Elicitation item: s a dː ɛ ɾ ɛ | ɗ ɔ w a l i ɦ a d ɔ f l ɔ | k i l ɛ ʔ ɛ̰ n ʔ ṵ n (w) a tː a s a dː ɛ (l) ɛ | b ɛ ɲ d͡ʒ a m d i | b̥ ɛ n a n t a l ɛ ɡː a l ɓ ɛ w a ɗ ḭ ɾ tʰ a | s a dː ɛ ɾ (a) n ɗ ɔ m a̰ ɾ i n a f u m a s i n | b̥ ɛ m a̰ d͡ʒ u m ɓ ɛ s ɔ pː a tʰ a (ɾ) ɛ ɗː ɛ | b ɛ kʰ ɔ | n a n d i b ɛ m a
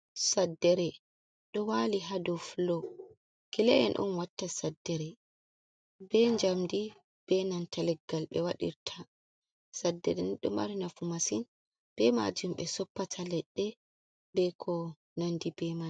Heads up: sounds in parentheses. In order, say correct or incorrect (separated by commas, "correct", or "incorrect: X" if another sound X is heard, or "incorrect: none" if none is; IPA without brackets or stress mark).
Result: correct, incorrect: ɾ, incorrect: ɛ, incorrect: l